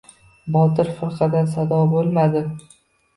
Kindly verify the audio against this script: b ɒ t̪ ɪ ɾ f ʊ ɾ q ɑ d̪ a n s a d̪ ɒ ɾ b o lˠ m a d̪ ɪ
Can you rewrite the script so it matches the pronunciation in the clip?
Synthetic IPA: b ɒ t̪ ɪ ɾ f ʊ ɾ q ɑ d̪ a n s a d̪ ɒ b o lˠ m a d̪ ɪ